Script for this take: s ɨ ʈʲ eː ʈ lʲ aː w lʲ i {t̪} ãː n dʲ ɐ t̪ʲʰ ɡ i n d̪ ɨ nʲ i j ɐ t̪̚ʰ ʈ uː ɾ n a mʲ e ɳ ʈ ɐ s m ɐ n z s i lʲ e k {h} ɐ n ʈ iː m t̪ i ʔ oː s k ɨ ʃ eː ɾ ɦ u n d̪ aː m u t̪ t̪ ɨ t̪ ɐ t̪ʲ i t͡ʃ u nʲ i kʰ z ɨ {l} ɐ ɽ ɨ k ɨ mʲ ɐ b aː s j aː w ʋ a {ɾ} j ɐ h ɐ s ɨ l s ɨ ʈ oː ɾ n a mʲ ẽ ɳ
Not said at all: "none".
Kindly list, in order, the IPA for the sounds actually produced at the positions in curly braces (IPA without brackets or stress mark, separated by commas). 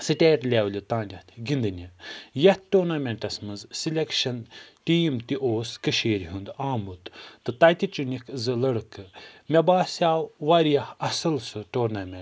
t̪, ʃ, l, ɾ